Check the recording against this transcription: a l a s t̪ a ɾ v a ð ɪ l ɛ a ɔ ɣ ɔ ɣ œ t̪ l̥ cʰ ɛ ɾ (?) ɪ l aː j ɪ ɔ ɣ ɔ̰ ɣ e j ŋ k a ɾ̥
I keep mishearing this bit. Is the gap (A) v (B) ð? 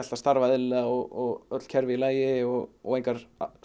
A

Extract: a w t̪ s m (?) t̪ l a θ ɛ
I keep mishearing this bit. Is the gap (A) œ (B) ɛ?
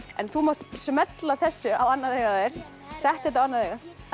B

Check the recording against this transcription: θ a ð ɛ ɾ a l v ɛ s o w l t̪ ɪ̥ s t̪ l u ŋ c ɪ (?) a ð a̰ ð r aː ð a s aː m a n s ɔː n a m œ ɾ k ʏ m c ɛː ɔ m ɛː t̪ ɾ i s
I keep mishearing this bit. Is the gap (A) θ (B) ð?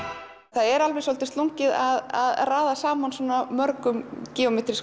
B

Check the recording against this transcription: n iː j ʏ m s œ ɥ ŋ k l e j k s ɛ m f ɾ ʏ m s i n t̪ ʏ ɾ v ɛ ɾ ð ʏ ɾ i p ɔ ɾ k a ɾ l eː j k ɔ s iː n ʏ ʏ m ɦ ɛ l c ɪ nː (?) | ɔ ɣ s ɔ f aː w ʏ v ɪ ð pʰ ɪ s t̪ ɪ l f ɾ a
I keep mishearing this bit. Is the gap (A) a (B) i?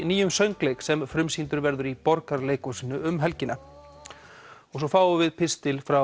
A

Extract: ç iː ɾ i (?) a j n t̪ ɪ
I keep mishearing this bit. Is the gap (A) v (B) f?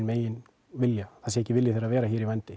A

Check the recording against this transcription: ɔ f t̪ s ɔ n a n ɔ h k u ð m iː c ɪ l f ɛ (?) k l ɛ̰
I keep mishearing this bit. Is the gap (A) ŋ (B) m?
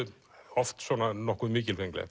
A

